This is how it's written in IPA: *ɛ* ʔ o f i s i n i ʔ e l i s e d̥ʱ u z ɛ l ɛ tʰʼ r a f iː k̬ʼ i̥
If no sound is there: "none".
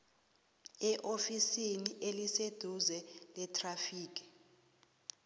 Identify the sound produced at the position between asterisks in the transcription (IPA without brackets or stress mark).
ɛ